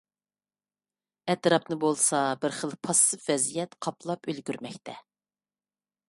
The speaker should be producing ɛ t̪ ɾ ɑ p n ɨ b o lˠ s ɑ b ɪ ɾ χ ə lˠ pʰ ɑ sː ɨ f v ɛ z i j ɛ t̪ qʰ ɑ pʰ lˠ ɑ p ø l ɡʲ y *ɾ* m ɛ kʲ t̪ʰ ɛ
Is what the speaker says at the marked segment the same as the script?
yes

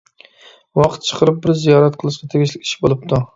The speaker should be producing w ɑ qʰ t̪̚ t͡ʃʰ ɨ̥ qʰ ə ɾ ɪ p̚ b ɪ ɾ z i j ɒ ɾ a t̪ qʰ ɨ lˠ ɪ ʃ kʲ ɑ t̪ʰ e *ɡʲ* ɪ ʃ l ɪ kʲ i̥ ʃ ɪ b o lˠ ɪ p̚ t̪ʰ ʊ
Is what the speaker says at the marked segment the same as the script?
yes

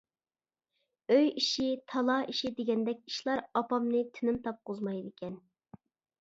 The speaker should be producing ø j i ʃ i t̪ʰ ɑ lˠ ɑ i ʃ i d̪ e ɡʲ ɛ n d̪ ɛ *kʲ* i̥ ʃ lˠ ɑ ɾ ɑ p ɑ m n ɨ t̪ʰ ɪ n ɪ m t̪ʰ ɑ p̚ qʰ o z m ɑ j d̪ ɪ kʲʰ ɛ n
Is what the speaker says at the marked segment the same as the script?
yes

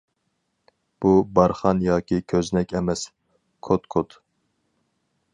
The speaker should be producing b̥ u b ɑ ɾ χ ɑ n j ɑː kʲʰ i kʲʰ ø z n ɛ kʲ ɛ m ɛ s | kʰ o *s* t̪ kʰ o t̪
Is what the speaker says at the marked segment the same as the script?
no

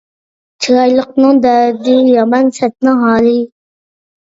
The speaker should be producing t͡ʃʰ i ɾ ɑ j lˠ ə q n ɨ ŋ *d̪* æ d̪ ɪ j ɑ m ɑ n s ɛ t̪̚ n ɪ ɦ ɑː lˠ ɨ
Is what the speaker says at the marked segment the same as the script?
yes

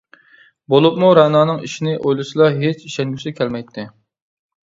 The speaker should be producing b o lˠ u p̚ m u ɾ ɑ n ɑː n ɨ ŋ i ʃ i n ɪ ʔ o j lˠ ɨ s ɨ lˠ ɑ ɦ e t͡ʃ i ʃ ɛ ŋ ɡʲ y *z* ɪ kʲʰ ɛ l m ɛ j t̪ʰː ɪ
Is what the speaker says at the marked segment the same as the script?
no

